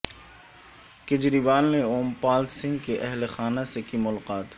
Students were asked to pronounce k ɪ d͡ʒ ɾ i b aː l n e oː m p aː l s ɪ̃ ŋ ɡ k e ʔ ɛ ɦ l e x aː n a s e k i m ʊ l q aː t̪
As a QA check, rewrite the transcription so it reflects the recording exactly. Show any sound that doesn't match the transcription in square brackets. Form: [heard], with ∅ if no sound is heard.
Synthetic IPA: k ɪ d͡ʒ ɾ i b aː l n e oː m p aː l s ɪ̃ ŋ ɡ k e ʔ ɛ ɦ l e x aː n a s e k i m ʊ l q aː t̪